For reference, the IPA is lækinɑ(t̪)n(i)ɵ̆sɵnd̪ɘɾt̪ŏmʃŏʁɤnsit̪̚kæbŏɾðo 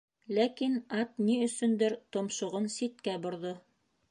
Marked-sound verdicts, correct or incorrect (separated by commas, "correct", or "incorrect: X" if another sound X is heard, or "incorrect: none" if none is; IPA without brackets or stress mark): correct, correct